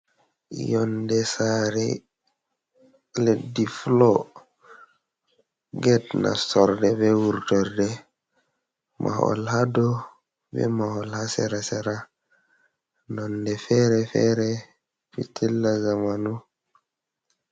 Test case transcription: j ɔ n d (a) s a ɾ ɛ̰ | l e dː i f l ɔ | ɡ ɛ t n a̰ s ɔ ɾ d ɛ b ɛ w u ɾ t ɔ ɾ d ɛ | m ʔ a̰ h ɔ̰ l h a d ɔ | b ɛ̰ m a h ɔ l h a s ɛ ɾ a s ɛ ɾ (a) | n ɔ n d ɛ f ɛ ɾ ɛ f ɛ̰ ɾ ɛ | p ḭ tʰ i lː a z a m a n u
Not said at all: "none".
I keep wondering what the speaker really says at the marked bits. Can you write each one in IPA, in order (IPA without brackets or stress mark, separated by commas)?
ɛ, a